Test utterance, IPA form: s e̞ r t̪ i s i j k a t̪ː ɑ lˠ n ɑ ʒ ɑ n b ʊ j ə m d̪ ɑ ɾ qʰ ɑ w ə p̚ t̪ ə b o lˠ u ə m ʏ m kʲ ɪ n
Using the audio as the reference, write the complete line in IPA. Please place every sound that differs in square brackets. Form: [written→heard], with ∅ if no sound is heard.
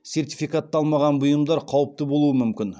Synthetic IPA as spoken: s e̞ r t̪ i [s→f] i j k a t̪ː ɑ lˠ [n→m] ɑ [ʒ→ʁ] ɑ n b ʊ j ə m d̪ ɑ ɾ qʰ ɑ w ə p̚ t̪ ə b o lˠ u ə m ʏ m kʲ ɪ n

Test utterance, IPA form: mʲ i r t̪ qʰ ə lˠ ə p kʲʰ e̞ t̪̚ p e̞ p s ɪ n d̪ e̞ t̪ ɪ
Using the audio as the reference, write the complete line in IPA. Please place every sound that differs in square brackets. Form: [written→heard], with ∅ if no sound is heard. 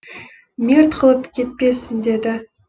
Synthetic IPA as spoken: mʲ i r t̪ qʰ ə lˠ ə p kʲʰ e̞ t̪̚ p e̞ [p→∅] s ɪ n d̪ e̞ [t̪→d̪] ɪ

